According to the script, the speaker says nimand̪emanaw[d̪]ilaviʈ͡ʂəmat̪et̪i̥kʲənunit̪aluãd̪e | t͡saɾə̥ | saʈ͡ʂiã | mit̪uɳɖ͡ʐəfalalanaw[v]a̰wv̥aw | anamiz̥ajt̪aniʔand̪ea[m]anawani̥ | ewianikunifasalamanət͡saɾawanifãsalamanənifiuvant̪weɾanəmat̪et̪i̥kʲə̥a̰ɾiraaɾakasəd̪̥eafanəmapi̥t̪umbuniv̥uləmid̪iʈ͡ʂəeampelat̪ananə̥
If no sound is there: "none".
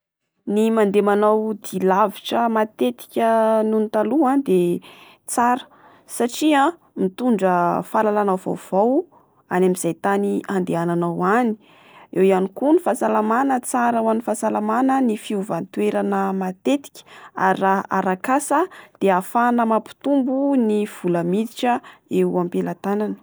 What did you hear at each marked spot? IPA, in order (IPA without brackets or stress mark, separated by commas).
d̪, v, n